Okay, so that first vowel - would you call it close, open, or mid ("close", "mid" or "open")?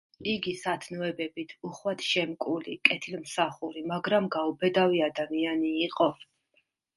close